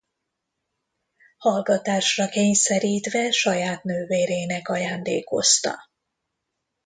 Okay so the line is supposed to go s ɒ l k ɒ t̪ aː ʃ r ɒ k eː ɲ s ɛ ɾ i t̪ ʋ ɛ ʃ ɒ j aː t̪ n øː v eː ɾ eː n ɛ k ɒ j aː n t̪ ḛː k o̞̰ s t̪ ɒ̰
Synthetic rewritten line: h ɒ l ɡ ɒ t̪ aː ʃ r ɒ k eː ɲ s ɛ ɾ iː t̪ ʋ ɛ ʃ ɒ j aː t̪ n øː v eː ɾ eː n ɛ k ɒ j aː n d̪ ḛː k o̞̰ s t̪ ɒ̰